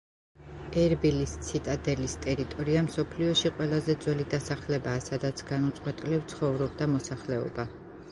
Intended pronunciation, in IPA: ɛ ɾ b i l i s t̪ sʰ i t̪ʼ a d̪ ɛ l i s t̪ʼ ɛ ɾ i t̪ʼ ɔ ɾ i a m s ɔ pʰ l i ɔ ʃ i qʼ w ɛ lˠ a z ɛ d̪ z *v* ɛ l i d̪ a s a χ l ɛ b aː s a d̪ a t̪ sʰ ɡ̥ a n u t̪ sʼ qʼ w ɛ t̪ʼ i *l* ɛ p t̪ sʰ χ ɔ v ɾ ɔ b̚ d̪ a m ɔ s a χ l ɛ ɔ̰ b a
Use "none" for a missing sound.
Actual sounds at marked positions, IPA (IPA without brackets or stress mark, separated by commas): w, l